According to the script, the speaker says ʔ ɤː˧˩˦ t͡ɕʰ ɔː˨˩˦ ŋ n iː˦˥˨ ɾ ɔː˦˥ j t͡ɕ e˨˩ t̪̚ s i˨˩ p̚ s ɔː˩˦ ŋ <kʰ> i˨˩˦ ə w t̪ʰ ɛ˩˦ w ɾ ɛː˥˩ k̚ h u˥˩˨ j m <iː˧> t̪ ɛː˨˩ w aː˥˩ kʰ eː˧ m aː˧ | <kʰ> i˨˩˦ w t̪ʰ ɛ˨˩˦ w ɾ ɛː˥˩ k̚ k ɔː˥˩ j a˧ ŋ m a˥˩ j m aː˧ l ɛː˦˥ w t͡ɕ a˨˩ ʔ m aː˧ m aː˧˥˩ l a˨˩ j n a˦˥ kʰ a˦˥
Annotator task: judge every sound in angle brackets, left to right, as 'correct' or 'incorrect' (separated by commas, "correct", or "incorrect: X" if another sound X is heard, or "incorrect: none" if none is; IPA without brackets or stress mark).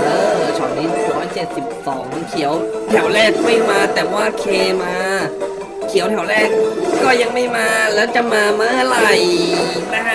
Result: correct, incorrect: aː˧, correct